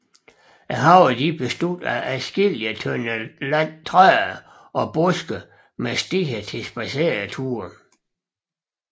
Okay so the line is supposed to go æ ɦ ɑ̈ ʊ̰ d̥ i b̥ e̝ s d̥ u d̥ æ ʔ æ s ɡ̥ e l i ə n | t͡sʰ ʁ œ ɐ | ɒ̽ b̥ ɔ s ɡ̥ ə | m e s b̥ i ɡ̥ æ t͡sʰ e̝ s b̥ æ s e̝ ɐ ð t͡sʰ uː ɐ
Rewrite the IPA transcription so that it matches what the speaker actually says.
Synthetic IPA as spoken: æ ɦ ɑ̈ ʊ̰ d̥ i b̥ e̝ s d̥ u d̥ æ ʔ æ s ɡ̥ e l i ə n | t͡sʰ ʁ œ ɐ | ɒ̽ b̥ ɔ s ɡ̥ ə | m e s d̥ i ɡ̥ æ t͡sʰ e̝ s b̥ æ s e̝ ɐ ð t͡sʰ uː ɐ